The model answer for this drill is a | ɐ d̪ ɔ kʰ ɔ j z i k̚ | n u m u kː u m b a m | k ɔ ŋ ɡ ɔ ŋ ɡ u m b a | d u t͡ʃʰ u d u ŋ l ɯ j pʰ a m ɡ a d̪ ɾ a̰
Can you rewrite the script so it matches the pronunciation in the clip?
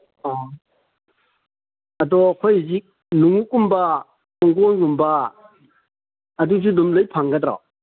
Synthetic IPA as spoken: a | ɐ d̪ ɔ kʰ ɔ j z i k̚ | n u ŋ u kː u m b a | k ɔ ŋ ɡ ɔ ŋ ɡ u m b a | d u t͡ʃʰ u d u m l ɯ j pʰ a ŋ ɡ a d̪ ɾ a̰